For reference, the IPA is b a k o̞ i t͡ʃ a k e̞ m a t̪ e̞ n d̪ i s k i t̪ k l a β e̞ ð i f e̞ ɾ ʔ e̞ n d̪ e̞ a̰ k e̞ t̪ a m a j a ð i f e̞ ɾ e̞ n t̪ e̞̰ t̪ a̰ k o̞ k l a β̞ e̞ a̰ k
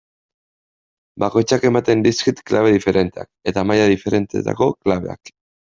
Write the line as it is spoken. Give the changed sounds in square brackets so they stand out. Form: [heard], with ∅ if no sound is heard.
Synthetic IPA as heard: b a k o̞ [j] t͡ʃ a k e̞ m a t̪ e̞ n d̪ i s k i t̪ k l a β e̞ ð i f e̞ ɾ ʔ e̞ n [t̪] e̞ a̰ k e̞ t̪ a m a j a ð i f e̞ ɾ e̞ n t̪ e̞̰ t̪ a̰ k o̞ k l a β̞ e̞ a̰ k